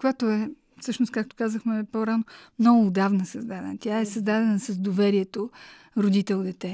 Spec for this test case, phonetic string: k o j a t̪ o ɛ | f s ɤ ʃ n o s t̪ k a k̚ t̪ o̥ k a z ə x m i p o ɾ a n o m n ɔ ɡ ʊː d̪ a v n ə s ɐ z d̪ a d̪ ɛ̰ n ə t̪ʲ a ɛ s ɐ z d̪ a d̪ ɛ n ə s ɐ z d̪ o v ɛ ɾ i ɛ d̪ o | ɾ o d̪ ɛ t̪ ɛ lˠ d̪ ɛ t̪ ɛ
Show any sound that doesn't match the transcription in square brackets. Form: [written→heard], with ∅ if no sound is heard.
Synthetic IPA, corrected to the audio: k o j a t̪ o ɛ | f s ɤ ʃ n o s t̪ k a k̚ t̪ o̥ k a z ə x m [i→ɛ] p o ɾ a n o m n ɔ ɡ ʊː d̪ a v n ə s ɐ z d̪ a d̪ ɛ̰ n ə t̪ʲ a ɛ s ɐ z d̪ a d̪ ɛ n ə s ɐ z d̪ o v ɛ ɾ i ɛ [d̪→t̪] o | ɾ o d̪ [ɛ→i] t̪ ɛ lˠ d̪ ɛ t̪ ɛ